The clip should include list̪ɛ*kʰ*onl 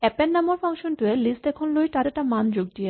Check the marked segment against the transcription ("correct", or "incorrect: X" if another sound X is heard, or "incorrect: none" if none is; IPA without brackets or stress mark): correct